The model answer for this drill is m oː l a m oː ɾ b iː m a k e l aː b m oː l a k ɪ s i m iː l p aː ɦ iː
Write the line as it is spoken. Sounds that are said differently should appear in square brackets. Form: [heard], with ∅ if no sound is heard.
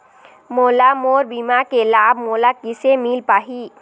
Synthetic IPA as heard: m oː l a m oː ɾ b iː m a k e l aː b m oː l a k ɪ s [e] m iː l p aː ɦ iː